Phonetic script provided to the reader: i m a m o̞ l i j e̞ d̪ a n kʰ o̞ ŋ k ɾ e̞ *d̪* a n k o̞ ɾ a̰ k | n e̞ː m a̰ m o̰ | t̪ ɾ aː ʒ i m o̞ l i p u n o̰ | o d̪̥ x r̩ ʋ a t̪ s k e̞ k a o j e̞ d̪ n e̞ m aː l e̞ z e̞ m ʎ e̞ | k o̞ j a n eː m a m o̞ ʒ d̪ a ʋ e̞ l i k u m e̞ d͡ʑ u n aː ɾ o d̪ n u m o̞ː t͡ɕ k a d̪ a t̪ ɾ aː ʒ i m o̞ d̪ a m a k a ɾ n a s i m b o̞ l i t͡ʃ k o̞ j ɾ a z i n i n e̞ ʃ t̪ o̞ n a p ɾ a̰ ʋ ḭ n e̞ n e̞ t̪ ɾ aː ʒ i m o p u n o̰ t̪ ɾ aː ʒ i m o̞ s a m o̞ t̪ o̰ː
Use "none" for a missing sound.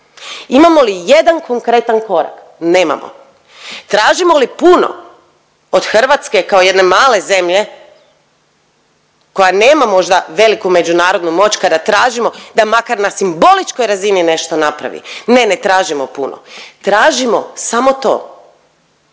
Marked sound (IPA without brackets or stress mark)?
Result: t̪